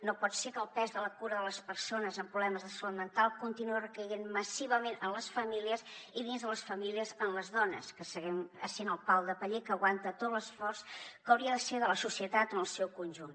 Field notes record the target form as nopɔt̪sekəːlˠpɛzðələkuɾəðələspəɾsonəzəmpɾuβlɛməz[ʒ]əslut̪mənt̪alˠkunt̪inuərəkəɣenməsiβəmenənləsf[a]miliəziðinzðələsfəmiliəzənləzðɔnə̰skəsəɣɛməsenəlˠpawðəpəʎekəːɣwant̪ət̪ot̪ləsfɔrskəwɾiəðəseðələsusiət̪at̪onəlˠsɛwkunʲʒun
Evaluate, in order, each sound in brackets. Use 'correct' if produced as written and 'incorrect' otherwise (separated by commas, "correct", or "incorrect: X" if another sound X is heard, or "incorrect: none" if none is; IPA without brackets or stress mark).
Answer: incorrect: ð, incorrect: ə